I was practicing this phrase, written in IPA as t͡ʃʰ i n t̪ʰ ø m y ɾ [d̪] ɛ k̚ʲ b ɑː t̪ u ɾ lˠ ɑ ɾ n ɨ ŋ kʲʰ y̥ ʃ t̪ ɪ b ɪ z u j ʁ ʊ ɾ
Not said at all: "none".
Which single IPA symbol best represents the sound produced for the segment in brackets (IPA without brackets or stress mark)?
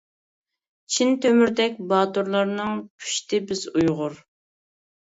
d̪